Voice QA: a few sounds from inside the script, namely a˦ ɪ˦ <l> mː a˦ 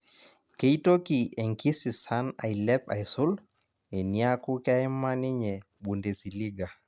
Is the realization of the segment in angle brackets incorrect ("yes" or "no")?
yes